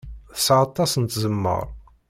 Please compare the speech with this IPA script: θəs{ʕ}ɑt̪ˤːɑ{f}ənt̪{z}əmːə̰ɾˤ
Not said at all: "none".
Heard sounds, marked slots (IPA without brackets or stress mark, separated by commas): ʕ, s, z